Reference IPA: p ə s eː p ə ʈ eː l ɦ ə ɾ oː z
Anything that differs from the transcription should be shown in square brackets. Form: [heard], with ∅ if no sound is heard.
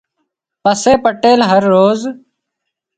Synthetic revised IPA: p ə s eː p ə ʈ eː l ɦ ə [ɾː] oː z